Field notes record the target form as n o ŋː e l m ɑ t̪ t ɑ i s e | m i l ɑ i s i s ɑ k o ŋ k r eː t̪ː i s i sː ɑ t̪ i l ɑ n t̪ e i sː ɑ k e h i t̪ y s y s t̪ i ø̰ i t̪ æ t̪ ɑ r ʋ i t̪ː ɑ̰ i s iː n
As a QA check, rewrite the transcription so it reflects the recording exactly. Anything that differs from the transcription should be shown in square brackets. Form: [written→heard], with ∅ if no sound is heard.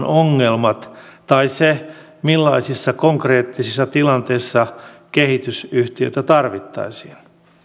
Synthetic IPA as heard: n o ŋː e l m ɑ t̪ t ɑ i s e | m i [l→lː] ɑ i s i [s→sː] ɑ k o ŋ k r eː t̪ː i s i sː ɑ t̪ i l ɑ n t̪ e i sː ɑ k e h i t̪ y s y [s→h] t̪ i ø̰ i t̪ æ t̪ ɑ r ʋ i t̪ː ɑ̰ i s iː n